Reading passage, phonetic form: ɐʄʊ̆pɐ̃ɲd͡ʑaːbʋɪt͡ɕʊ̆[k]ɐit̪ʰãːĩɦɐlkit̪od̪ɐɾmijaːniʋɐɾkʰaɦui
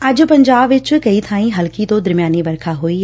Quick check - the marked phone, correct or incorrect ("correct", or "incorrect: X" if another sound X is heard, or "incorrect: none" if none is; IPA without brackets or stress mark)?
correct